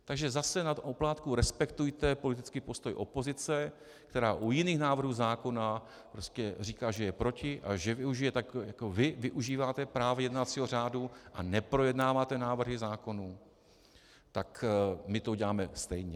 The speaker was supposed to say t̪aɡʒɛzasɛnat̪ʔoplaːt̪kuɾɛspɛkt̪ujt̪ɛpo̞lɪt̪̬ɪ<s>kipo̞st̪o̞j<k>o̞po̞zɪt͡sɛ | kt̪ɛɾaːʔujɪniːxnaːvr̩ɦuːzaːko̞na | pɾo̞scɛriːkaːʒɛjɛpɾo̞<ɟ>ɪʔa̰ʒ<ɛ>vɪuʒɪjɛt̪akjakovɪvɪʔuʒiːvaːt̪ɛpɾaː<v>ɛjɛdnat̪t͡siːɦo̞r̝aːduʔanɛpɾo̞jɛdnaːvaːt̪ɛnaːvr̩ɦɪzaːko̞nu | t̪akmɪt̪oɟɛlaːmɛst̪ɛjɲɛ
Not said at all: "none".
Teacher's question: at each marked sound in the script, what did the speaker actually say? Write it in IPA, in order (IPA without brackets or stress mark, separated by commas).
t͡s, ʔ, c, ɛ, v